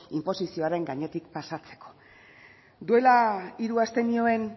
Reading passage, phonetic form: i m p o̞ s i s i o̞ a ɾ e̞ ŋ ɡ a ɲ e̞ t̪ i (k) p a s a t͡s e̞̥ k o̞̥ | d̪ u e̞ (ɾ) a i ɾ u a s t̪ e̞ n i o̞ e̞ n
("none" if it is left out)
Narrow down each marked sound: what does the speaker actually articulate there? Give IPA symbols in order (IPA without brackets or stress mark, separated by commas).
k, l